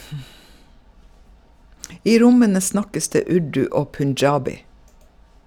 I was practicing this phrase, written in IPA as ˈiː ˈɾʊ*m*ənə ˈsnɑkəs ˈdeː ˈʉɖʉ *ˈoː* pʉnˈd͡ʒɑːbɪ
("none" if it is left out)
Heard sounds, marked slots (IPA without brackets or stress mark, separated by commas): m, oː